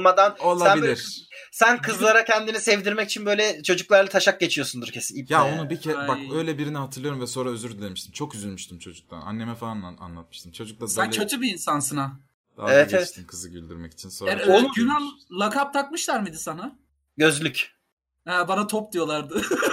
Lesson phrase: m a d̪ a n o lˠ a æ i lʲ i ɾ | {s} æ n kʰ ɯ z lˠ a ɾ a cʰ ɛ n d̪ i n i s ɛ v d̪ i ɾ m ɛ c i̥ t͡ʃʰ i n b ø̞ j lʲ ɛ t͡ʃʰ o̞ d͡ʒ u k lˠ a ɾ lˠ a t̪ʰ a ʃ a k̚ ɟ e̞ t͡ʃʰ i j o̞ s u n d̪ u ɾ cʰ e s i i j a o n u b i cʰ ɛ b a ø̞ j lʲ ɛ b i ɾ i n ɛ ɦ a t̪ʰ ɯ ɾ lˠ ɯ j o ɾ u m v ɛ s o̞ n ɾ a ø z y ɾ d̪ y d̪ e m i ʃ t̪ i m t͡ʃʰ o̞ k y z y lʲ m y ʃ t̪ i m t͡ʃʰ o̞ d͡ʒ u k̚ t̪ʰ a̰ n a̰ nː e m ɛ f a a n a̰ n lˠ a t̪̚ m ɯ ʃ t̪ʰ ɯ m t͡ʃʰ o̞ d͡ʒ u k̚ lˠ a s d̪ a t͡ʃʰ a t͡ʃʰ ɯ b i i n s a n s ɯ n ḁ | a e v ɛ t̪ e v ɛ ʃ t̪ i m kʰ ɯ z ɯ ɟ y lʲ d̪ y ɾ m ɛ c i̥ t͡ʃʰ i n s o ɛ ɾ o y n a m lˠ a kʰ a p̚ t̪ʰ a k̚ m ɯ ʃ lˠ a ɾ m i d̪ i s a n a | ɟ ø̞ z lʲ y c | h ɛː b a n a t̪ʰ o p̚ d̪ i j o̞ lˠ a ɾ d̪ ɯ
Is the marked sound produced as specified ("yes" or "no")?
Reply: yes